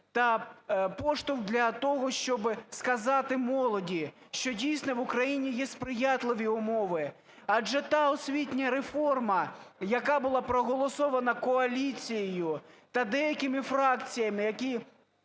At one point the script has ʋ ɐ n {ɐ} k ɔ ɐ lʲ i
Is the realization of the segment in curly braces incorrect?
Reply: no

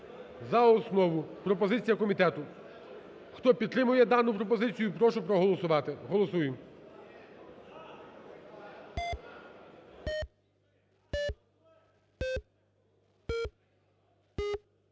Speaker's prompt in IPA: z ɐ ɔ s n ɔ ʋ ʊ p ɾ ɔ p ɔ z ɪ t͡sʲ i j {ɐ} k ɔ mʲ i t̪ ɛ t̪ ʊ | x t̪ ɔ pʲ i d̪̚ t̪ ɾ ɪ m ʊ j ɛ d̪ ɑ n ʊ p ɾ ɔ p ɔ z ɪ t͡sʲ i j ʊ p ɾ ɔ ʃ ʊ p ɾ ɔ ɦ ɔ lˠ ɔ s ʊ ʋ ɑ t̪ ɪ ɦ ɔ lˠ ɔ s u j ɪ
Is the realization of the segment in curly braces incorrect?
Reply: no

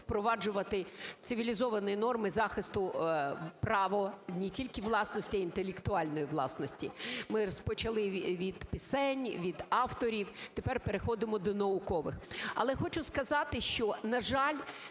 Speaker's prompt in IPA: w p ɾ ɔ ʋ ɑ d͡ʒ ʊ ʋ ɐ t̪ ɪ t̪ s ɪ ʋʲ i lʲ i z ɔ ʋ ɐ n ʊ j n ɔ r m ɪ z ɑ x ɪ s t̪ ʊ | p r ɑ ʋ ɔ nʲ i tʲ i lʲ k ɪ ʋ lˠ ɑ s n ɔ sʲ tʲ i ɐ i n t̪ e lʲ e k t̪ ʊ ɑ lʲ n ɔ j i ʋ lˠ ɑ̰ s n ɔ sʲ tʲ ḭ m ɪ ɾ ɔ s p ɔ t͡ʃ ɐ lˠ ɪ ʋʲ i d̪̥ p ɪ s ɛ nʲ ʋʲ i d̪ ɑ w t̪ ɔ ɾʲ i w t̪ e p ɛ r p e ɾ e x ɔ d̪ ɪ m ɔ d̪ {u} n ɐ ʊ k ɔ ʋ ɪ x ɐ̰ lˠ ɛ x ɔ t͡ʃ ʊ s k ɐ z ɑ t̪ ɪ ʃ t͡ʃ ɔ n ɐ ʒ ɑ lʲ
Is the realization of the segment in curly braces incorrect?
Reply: yes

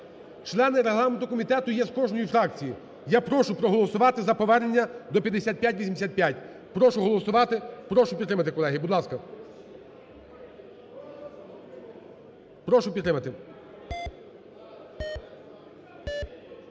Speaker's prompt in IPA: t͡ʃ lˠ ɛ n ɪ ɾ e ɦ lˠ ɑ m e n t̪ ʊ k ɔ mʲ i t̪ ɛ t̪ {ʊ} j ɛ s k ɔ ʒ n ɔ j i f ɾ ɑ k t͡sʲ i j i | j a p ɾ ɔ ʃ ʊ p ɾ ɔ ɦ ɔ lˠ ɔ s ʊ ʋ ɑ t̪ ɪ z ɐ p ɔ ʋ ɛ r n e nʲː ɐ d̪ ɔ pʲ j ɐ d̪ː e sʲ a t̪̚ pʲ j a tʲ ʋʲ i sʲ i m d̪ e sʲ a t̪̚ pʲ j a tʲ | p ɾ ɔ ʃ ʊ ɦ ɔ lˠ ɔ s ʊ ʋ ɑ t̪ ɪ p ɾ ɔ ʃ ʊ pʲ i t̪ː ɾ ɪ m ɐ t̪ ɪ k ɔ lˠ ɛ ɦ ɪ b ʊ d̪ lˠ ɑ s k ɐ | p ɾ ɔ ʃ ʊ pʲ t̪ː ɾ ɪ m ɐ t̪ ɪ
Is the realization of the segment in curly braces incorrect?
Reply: no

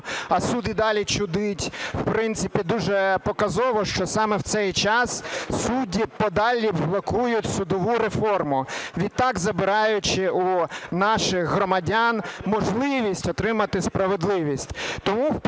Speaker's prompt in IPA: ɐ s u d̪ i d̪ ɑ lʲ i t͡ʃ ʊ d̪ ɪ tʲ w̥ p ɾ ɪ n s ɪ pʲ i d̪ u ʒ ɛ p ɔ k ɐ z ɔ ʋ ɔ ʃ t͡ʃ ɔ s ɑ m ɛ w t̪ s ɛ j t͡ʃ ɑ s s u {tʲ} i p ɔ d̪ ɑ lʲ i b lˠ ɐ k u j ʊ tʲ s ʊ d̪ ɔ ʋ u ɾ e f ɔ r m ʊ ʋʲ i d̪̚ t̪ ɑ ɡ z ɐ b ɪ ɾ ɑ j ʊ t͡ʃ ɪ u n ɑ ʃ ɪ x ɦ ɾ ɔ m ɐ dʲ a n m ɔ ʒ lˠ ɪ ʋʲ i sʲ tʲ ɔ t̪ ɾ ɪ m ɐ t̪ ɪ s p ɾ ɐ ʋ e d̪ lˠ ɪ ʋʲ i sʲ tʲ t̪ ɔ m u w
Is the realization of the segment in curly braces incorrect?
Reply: yes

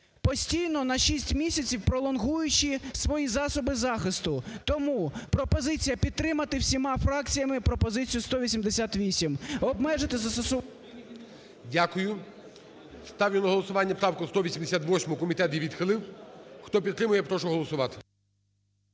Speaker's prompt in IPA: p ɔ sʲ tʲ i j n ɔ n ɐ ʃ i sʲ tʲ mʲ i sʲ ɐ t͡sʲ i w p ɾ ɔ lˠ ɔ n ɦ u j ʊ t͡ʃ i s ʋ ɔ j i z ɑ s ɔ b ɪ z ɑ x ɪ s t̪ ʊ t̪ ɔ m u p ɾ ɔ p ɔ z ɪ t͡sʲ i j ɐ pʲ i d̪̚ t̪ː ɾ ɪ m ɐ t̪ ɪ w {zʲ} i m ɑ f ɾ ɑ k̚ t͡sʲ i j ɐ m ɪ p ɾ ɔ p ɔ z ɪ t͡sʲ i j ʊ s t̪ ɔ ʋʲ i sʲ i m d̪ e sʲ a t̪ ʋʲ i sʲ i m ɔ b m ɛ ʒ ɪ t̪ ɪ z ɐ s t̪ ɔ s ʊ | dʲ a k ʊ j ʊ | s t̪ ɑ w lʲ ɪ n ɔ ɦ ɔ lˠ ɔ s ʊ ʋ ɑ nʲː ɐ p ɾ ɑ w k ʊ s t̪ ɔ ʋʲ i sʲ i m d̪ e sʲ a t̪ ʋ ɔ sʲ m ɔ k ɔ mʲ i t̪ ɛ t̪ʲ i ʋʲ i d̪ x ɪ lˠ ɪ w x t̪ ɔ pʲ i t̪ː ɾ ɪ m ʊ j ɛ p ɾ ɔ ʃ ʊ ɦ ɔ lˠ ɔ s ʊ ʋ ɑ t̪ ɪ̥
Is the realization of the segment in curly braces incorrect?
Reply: yes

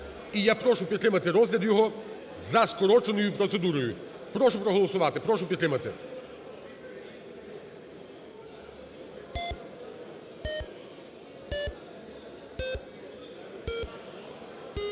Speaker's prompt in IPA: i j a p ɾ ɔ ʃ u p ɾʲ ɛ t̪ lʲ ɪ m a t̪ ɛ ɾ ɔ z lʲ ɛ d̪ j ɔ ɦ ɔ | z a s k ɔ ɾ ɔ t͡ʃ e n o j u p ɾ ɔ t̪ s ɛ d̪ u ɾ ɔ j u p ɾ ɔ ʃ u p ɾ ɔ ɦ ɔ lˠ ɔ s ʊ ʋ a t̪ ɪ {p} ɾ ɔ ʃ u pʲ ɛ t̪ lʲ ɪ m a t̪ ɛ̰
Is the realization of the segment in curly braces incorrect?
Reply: no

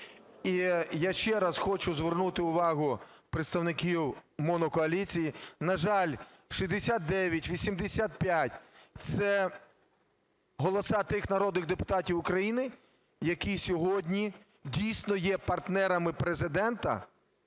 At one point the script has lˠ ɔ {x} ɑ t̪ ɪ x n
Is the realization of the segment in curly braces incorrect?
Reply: yes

